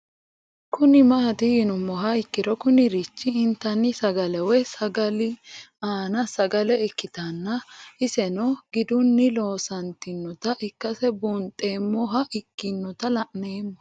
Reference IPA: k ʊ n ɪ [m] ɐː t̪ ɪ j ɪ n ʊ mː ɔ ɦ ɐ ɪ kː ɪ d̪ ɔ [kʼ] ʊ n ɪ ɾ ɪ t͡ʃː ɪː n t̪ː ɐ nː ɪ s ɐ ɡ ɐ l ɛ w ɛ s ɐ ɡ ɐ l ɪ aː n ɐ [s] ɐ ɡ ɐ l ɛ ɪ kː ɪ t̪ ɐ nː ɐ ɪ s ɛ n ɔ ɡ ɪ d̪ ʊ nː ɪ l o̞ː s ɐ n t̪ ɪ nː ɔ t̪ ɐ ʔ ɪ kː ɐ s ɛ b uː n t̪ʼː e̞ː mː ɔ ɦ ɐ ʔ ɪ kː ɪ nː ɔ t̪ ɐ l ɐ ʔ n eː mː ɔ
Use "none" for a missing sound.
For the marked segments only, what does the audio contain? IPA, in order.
m, k, s

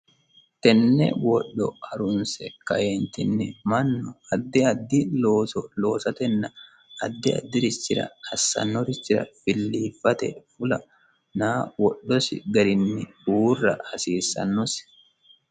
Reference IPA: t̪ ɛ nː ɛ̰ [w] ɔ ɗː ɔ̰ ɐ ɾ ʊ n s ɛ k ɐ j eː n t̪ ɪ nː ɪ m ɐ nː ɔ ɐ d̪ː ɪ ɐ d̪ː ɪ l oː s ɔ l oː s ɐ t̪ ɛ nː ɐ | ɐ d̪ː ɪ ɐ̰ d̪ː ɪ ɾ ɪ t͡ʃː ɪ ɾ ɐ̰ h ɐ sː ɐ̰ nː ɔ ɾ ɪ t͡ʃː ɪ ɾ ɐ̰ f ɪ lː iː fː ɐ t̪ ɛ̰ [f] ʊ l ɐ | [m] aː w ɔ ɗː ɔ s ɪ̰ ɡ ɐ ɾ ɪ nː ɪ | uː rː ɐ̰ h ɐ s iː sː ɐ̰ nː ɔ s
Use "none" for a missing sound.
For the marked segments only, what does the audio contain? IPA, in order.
w, f, n

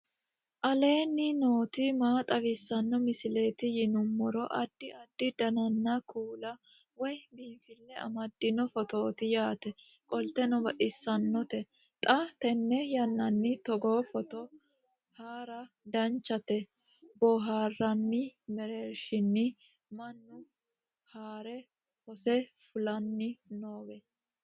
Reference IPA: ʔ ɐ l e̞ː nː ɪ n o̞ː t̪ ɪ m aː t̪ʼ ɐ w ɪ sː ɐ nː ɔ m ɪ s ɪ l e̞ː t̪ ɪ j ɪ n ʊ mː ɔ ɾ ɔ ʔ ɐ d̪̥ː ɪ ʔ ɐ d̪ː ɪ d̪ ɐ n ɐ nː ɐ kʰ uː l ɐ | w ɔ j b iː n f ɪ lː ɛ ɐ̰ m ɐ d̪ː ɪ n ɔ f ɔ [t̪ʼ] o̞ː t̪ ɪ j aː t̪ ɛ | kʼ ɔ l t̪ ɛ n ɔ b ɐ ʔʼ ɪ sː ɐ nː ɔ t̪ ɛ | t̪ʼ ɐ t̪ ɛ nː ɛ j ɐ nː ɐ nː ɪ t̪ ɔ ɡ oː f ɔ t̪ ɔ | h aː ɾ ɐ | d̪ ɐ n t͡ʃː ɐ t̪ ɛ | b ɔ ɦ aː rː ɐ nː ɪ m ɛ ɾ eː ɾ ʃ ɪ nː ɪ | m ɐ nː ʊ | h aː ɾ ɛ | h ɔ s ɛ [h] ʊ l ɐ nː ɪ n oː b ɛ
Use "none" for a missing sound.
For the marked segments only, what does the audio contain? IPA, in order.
t̪, f

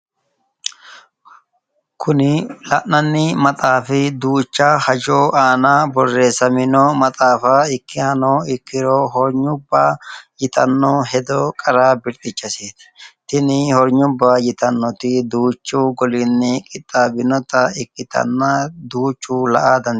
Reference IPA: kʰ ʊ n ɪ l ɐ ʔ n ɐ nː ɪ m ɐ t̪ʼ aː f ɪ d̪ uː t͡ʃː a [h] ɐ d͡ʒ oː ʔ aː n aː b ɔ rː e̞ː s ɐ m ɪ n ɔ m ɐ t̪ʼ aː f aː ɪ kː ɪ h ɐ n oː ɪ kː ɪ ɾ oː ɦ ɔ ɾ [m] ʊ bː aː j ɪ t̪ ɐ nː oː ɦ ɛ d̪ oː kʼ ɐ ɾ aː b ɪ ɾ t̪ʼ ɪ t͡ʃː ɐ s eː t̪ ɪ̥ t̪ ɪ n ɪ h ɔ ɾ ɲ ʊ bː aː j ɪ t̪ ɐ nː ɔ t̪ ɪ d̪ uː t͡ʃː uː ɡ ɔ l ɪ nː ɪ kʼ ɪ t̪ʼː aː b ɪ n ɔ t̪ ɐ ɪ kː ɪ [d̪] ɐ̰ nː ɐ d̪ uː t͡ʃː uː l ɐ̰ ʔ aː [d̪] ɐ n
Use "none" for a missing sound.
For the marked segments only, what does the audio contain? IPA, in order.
h, ɲ, t̪, d̪

